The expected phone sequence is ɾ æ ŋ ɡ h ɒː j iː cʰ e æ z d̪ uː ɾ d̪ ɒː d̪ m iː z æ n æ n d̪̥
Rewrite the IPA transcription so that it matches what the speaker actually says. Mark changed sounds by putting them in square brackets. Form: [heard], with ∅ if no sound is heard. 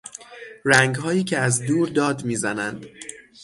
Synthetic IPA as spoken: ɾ æ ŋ ɡ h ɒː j iː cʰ e æ z d̪ uː ɾ d̪ ɒː d̪ m iː z æ n æ n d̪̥